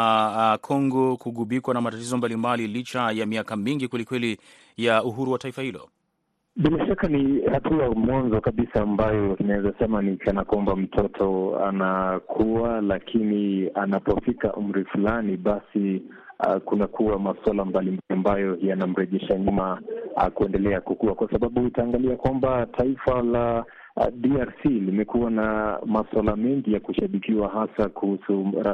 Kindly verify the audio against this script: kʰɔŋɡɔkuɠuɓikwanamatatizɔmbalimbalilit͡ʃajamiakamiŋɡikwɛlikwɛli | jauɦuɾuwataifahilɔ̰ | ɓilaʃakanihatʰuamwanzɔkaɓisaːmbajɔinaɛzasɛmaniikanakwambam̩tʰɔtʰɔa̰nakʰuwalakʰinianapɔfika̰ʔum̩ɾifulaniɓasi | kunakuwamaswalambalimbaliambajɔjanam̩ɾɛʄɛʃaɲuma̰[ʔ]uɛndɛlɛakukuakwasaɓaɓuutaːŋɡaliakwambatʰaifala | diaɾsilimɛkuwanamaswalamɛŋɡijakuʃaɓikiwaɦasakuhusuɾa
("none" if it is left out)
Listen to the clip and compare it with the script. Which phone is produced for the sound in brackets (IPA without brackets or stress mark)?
k